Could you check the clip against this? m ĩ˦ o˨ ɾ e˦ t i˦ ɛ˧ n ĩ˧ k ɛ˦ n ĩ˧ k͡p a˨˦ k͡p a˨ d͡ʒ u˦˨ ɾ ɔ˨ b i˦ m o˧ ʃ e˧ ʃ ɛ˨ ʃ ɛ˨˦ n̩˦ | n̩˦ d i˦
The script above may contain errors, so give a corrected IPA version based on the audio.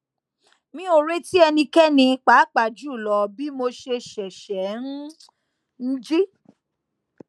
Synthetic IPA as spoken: m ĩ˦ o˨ ɾ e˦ t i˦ ɛ˧ n ĩ˧ k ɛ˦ n ĩ˧ k͡p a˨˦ k͡p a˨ d͡ʒ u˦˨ l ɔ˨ b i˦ m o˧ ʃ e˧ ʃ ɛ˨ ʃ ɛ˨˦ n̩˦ | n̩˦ d͡ʒ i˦